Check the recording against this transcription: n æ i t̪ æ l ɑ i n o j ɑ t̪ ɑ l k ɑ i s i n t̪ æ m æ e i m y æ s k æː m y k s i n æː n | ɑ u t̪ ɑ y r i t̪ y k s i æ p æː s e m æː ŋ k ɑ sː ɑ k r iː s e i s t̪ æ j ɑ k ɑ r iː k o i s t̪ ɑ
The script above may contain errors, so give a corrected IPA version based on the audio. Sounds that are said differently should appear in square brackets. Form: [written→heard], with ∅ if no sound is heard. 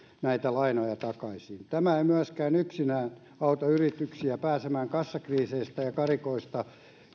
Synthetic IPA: n æ i t̪ æ l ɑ i n o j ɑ t̪ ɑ [l→∅] k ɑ i s i n t̪ æ m æ e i m y æ s k æː [m→n] y k s i n æː n | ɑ u t̪ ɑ y r i t̪ y k s i æ p æː s e m æː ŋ k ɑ sː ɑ k r iː s e i s t̪ æ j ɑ k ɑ r [iː→i] k o i s t̪ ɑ